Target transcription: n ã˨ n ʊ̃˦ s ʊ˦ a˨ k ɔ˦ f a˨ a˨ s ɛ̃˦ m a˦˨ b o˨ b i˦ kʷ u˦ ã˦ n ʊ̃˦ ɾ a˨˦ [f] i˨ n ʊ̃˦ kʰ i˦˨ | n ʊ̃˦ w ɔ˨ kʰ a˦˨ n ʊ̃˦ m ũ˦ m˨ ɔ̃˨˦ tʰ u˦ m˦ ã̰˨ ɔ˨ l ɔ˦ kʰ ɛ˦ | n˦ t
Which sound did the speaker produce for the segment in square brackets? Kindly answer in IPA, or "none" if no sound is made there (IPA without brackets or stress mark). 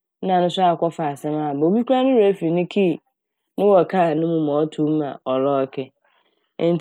f